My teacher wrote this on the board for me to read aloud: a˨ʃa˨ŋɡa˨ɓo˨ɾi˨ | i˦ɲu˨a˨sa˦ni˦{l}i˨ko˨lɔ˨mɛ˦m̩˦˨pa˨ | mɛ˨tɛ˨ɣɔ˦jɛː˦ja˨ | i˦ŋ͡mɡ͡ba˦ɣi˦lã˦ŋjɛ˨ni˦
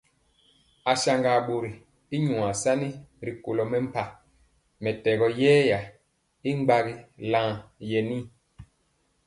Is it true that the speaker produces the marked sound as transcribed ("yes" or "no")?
no